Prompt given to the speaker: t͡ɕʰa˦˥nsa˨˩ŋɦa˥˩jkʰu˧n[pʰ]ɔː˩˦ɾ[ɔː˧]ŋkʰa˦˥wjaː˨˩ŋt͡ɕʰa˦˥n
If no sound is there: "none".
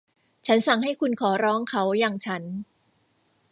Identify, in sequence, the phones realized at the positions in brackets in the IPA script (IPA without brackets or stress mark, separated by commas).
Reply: kʰ, ɔː˦˥